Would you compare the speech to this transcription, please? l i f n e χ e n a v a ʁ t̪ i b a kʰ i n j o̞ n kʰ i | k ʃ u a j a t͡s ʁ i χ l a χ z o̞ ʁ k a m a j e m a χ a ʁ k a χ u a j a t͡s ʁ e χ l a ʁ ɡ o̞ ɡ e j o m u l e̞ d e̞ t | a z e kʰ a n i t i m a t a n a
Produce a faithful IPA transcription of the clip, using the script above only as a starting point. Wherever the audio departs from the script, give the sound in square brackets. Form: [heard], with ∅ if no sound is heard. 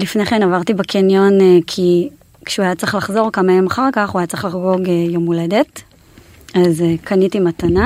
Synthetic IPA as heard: l i f n e χ e n a v a ʁ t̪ i b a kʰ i n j o̞ n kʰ i | k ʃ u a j a t͡s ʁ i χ l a χ z o̞ ʁ k a m a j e m a χ a ʁ k a χ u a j a t͡s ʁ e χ l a [χ] ɡ o̞ ɡ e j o m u l e̞ d e̞ t | a z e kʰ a n i t i m a t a n a